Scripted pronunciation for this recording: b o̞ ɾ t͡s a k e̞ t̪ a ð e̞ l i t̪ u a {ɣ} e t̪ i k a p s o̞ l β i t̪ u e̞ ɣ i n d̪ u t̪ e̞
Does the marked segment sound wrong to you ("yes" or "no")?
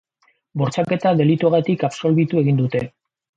no